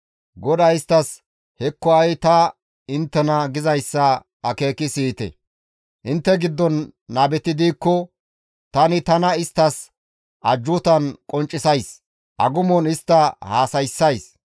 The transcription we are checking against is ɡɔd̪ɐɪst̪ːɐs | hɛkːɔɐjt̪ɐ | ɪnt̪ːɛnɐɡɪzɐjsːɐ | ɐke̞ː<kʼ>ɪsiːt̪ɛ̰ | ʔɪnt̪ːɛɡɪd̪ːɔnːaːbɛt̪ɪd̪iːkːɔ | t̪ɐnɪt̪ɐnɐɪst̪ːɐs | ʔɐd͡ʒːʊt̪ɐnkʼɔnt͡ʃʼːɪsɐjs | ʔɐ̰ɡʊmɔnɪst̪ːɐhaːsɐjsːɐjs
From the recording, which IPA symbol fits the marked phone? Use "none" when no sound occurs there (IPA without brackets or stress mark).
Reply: k